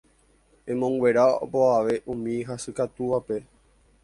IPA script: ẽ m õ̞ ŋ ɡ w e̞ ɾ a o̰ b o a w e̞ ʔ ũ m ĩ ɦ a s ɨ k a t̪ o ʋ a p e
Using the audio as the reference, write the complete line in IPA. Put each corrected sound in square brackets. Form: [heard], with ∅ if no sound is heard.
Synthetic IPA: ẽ m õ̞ ŋ ɡ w e̞ ɾ a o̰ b o a [ʋ] e̞ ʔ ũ m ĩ ɦ a s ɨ k a t̪ [u] ʋ a p e